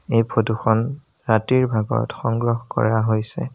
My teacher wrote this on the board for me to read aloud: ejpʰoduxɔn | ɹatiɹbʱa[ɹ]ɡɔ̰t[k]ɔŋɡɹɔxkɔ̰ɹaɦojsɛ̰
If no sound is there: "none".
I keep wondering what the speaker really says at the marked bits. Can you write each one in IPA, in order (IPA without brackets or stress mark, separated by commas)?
none, x